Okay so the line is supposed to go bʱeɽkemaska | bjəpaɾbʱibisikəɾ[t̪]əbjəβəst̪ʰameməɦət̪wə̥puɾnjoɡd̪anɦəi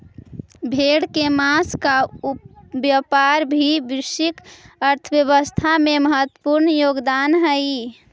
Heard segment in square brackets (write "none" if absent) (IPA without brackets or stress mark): t̪ʰ